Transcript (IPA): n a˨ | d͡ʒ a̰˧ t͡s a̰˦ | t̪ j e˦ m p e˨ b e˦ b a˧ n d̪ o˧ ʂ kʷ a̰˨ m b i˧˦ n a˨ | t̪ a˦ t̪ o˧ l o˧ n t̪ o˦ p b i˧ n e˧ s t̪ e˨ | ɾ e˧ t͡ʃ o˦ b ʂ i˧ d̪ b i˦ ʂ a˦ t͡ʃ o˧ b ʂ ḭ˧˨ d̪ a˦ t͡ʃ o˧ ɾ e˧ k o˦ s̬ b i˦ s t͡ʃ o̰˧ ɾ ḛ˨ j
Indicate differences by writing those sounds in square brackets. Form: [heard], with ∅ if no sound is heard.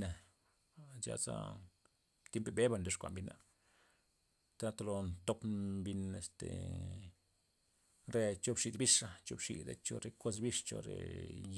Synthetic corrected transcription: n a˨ | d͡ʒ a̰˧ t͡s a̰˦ | t̪ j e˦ m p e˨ b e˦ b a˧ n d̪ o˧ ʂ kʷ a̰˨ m b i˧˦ n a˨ | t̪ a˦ t̪ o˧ l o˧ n t̪ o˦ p b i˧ n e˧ s t̪ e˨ | ɾ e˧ t͡ʃ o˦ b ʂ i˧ d̪ b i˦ ʂ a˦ t͡ʃ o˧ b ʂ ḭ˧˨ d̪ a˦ t͡ʃ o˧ ɾ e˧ k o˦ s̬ b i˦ [ʂ] t͡ʃ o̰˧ ɾ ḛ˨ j

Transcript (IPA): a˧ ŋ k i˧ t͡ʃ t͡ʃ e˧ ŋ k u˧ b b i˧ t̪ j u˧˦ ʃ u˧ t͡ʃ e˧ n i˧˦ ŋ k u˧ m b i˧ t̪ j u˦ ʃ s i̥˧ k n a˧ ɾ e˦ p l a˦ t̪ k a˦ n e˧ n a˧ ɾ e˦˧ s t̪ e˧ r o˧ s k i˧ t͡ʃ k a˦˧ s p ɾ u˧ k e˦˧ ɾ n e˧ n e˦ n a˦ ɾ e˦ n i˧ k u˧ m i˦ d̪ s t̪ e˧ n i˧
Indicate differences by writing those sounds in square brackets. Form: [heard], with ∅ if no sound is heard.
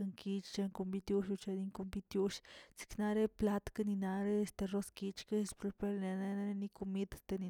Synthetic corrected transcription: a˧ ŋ k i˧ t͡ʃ t͡ʃ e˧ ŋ k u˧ [m] b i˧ t̪ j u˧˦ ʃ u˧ t͡ʃ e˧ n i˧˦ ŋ k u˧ m b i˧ t̪ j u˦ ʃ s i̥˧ k n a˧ ɾ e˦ p l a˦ t̪ k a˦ n [i˧] n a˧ ɾ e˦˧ s t̪ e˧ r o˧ s k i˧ t͡ʃ k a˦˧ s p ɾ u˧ [p] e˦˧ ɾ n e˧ n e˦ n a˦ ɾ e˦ n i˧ k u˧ m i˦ d̪ s t̪ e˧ n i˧

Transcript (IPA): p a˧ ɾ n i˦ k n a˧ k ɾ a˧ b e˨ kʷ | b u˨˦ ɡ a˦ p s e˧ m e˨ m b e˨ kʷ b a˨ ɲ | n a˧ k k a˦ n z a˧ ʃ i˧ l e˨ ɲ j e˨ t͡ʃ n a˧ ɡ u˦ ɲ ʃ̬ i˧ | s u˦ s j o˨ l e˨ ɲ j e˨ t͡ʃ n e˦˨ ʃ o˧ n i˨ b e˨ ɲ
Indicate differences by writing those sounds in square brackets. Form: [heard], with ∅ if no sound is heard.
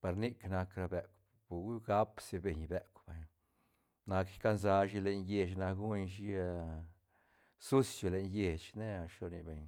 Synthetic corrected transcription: p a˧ ɾ n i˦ k n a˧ k ɾ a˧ b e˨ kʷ | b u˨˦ ɡ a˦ p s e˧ [b] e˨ [ɲ] b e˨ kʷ b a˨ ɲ | n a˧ k k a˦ n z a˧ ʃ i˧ l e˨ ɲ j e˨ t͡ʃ n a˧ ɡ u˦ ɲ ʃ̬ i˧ | s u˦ s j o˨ l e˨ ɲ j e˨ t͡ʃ n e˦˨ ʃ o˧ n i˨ b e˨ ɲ

